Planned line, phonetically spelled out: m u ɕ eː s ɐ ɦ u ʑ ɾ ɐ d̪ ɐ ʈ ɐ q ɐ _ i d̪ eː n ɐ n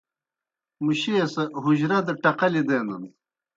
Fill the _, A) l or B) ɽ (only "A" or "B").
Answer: A